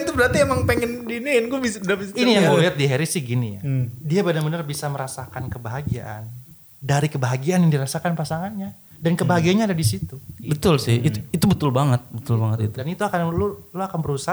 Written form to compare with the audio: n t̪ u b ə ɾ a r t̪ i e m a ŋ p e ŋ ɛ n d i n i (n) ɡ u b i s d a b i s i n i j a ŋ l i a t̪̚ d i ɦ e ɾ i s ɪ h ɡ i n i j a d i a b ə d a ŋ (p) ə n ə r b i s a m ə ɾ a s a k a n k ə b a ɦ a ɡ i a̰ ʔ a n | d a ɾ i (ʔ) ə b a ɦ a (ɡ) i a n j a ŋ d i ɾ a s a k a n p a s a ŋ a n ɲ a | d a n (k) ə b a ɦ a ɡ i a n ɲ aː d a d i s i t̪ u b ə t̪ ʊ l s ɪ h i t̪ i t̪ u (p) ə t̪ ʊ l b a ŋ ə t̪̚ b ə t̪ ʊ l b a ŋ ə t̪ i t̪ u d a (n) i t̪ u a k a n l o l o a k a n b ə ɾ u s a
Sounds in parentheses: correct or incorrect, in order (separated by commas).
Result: correct, incorrect, incorrect, correct, correct, incorrect, correct